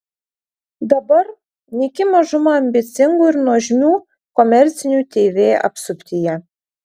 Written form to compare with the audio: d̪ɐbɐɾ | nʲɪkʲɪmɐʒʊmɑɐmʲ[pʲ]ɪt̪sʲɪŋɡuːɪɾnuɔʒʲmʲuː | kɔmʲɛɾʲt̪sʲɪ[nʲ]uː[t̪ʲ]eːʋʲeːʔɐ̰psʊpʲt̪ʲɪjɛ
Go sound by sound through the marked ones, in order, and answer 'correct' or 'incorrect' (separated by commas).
incorrect, correct, correct